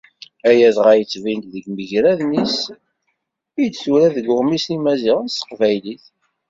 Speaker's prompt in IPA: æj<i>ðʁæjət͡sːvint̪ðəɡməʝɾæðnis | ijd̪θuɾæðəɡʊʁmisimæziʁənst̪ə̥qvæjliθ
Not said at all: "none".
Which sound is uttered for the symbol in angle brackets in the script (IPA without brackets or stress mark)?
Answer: æ